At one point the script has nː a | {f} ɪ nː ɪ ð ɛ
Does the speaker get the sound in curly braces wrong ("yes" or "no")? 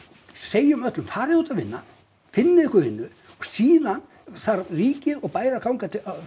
no